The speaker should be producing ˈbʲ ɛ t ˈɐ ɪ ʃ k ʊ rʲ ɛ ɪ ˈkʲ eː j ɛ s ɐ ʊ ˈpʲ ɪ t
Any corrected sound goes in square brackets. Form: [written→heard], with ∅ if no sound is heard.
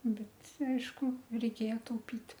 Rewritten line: ˈbʲ ɛ t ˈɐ ɪ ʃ k ʊ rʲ ɛ ɪ ˈkʲ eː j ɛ [s→t] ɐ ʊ ˈpʲ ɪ t